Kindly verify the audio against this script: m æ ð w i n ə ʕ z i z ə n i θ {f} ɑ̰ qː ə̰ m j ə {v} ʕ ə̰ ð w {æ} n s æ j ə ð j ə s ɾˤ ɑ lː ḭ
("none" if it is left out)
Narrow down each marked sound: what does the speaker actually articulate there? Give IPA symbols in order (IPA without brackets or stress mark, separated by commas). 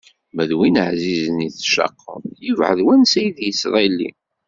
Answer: ʃ, v, æ